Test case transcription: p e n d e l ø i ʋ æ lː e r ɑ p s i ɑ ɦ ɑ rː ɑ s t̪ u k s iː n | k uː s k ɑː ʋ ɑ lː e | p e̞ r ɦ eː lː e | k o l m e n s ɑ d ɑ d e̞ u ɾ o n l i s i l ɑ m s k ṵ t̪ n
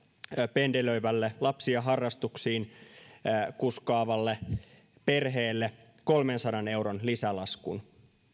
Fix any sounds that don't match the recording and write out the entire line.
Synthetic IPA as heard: p e n d e l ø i ʋ æ lː e l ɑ p s i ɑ ɦ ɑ rː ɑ s t̪ u k s iː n | k u s k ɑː ʋ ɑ lː e | p e̞ r ɦ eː lː e | k o l m e n s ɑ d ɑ n e̞ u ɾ o n l i s æ l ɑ s k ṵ n